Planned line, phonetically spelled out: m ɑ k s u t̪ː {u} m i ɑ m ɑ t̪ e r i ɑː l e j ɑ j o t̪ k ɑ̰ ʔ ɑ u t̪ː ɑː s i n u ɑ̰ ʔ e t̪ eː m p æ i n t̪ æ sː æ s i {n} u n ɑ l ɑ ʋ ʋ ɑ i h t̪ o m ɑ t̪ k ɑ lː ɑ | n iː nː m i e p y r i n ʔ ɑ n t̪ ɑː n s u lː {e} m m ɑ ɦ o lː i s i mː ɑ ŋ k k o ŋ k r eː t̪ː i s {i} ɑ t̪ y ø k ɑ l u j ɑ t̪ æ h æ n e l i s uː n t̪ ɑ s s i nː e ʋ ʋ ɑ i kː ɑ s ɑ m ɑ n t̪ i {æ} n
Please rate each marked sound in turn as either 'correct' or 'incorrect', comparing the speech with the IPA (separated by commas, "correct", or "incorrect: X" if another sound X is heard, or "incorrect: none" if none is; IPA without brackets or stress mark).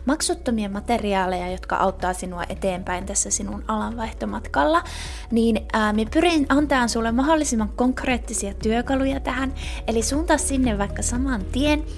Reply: incorrect: o, correct, correct, correct, incorrect: e